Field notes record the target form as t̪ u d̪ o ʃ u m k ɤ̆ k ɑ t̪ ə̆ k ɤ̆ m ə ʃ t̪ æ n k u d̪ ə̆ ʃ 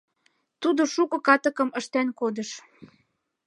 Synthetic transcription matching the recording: t̪ u d̪ o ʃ u k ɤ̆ k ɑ t̪ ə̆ k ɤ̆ m ə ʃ t̪ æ n k o d̪ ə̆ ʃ